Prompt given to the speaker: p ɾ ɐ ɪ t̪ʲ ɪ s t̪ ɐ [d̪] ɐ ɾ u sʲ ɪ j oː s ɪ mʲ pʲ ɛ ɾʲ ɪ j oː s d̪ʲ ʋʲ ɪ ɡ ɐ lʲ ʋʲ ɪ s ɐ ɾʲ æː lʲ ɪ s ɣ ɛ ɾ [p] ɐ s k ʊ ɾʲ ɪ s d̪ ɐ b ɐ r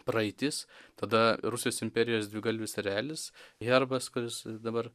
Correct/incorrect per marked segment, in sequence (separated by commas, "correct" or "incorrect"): correct, incorrect